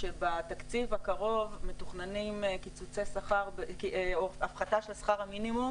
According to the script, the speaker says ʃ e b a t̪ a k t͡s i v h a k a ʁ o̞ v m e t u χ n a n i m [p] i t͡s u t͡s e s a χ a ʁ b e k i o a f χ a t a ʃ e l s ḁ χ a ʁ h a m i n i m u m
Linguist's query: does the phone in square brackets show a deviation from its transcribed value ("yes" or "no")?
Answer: yes